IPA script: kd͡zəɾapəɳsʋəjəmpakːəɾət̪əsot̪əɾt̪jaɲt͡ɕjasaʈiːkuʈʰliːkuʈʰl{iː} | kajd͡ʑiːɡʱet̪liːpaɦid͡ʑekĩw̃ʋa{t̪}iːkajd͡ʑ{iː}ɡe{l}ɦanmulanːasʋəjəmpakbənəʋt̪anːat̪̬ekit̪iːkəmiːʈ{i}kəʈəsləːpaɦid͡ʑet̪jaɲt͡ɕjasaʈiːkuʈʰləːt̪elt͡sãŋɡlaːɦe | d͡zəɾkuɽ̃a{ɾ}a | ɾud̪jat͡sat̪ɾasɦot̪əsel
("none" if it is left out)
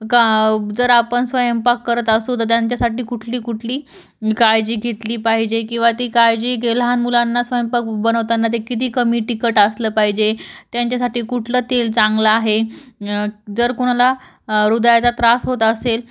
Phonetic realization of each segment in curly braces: iː, t̪, iː, l, i, l

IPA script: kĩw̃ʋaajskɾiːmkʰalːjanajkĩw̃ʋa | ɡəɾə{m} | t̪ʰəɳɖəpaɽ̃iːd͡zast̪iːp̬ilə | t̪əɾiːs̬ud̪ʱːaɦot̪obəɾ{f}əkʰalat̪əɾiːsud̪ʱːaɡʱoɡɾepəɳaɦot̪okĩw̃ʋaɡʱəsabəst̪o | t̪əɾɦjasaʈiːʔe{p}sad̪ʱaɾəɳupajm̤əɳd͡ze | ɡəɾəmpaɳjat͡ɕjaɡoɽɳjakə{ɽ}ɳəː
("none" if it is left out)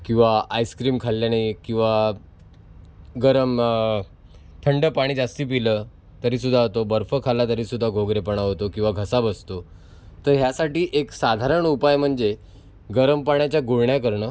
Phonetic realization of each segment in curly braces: m, f, k, ɾ

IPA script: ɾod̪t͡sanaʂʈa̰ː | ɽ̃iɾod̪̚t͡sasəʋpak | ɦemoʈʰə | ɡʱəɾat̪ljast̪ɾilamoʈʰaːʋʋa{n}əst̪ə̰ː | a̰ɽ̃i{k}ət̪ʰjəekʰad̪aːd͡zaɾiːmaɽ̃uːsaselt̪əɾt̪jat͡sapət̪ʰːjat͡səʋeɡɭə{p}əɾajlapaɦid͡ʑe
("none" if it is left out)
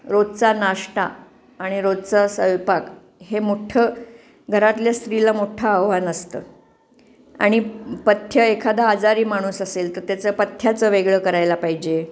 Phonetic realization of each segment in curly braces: n, p, k

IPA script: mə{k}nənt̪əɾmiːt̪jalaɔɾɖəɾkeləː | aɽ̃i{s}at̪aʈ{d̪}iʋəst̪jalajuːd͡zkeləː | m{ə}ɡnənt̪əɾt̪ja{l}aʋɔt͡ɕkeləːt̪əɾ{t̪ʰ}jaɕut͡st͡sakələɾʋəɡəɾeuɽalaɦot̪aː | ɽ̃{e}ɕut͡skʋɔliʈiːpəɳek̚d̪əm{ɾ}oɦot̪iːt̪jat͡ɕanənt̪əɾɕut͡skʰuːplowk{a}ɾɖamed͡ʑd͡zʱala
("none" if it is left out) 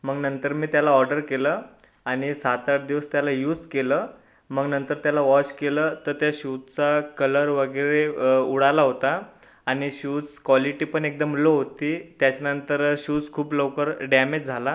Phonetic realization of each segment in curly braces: ɡ, s, d̪, ə, l, t̪, i, l, ə

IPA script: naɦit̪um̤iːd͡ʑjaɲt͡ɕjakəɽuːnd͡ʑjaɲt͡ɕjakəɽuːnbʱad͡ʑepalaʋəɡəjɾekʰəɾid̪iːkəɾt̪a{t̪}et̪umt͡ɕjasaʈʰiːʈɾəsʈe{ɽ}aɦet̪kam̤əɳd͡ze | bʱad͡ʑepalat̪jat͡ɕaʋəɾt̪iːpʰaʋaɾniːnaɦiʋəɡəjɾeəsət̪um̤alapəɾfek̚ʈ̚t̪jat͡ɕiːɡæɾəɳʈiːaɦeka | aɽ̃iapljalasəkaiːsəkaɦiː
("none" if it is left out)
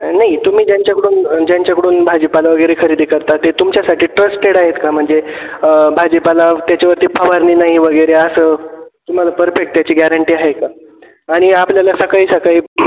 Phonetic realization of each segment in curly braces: t̪, ɽ

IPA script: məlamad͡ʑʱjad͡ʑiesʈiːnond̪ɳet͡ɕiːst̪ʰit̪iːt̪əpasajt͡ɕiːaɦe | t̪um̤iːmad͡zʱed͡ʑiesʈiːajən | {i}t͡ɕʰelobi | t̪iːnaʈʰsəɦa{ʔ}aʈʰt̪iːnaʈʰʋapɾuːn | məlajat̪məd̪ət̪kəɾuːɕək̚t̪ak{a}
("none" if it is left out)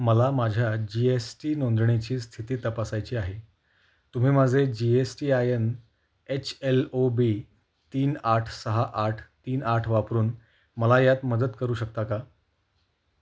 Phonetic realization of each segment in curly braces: e, ʔ, a

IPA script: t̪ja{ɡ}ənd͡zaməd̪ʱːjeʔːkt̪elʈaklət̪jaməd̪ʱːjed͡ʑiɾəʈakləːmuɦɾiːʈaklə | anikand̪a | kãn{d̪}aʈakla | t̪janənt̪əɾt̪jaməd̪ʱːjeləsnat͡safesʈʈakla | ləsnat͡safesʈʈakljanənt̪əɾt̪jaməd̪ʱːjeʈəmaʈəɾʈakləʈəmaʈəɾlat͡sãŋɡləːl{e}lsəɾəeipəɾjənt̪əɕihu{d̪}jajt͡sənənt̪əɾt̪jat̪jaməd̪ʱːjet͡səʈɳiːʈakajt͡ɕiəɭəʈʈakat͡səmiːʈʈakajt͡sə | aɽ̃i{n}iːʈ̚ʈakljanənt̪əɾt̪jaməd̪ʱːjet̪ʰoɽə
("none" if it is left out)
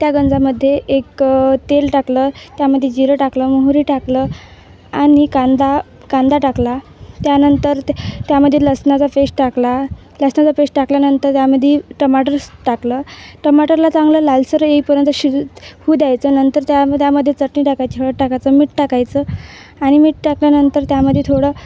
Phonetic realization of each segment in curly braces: ɡ, d̪, a, d̪, m

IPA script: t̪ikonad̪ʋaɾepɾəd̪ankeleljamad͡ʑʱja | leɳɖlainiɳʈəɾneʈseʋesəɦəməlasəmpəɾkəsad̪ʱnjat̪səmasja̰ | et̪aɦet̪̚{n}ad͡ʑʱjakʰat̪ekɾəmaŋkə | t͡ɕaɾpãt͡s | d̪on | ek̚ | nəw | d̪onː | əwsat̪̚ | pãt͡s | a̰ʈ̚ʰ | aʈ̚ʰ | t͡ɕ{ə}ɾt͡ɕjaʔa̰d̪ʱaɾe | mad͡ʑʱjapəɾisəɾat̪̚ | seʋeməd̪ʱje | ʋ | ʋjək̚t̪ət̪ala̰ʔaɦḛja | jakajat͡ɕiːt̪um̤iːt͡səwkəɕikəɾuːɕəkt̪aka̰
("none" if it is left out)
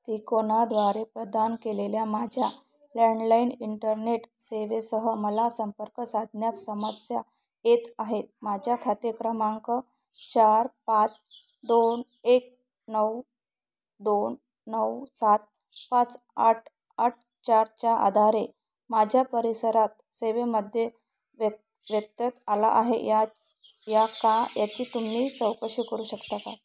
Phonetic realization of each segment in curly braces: m, a

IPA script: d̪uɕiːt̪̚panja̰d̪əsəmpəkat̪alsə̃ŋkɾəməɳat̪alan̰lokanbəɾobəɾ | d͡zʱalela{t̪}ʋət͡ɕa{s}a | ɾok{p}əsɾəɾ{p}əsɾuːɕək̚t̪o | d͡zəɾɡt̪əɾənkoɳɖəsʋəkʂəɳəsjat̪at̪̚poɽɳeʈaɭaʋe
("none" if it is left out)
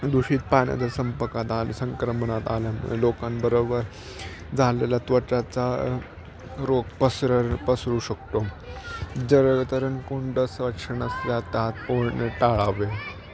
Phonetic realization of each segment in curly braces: t̪, t͡s, p, p

